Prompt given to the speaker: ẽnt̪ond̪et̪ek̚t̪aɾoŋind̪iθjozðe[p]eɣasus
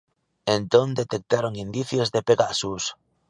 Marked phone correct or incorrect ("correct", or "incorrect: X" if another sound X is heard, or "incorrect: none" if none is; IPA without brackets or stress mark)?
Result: correct